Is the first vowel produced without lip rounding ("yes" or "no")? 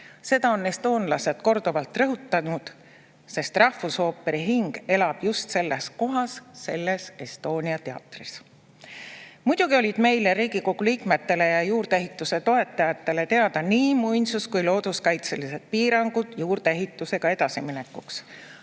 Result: yes